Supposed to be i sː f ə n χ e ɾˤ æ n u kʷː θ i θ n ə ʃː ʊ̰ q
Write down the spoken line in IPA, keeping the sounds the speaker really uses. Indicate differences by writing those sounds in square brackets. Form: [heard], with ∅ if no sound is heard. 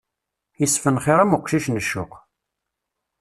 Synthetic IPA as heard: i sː f ə n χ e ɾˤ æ [m] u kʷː [ʃ] i [ʃ] n ə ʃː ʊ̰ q